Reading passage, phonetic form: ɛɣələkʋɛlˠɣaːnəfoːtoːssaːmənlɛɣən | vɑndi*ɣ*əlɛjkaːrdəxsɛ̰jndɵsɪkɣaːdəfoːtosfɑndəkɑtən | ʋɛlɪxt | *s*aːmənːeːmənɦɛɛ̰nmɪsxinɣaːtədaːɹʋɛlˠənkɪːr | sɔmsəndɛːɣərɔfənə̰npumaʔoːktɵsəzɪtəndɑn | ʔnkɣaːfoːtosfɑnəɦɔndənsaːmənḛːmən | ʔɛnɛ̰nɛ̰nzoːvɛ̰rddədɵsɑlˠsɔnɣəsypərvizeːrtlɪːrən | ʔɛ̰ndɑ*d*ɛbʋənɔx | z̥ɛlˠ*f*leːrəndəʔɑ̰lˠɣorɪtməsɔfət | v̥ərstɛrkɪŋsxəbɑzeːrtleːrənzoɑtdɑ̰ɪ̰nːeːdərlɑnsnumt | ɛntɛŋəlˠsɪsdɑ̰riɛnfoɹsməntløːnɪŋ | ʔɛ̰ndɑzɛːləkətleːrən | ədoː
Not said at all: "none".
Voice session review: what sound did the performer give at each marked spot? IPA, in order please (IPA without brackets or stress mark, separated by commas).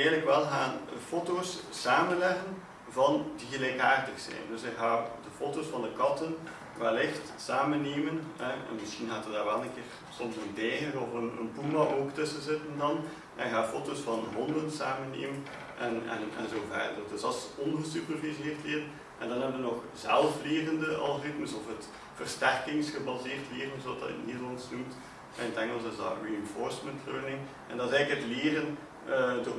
ɣ, s, n, f